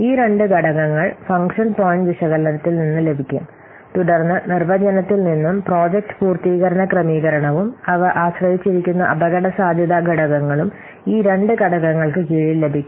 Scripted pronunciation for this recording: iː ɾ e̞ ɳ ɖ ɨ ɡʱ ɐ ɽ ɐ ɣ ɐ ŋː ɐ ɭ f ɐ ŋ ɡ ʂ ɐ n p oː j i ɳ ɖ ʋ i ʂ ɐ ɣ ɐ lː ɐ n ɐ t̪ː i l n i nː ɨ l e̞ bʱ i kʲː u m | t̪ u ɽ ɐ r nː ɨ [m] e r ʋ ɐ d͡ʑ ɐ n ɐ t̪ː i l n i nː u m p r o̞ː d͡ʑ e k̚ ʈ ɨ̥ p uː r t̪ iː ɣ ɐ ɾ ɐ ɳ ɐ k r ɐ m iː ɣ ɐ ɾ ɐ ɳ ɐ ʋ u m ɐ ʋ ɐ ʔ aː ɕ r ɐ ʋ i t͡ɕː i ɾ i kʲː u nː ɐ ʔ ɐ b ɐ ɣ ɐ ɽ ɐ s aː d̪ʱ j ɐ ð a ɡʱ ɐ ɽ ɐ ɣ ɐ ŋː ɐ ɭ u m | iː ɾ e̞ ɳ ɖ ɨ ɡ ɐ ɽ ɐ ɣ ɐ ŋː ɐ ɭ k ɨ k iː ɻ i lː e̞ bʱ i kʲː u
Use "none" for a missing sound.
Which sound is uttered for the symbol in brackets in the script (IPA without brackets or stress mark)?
n